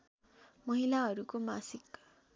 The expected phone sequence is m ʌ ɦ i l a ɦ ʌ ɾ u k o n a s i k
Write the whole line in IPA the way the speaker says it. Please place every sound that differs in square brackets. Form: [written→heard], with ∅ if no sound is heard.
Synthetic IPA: m ʌ ɦ i l a ɦ ʌ ɾ u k o [n→m] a s i k